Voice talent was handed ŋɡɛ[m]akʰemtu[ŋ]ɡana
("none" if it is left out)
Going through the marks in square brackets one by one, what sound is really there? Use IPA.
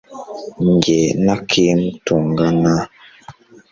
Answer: n, ŋ

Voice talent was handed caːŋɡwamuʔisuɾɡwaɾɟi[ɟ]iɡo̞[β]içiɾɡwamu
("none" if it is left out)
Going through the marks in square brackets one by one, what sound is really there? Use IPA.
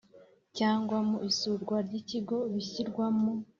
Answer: c, β

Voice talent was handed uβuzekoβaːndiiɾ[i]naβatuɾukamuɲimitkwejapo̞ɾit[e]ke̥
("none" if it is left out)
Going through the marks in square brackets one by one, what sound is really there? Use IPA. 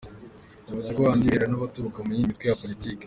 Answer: a, i

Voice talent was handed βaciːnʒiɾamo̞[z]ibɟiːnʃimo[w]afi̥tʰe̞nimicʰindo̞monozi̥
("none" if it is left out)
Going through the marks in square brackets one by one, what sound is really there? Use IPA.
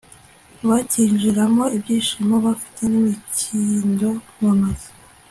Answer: none, β

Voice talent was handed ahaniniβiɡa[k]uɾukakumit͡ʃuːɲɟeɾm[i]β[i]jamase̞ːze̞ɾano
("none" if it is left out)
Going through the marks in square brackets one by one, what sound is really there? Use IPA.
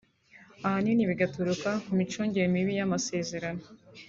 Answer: t, i, i

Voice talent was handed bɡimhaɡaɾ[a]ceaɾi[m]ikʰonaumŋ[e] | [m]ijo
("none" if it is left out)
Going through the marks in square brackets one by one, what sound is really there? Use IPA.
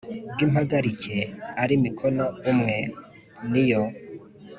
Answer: i, m, e, n

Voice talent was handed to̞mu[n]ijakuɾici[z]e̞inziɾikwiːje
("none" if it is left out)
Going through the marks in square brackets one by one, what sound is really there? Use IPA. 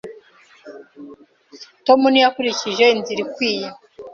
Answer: n, ʒ

